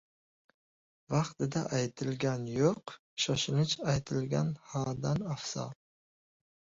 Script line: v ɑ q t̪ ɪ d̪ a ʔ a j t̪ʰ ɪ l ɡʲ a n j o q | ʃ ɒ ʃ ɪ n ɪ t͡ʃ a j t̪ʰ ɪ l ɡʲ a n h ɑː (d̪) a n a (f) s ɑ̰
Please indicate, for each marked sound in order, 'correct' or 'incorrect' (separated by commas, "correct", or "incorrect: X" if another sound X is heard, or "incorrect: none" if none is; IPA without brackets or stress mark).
correct, correct